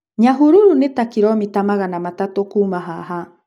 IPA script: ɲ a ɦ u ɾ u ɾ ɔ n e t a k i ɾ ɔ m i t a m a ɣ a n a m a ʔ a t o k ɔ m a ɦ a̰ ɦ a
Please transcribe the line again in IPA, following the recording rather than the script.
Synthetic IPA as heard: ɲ a ɦ u ɾ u ɾ u n e t a k i ɾ ɔ m i t a m a ɣ a n a m a t a t o k u m a ɦ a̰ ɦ a